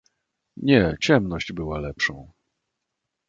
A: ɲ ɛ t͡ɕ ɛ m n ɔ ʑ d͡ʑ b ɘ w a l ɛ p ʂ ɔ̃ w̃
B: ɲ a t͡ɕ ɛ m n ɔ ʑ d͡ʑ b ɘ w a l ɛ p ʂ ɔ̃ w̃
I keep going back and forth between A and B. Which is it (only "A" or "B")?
A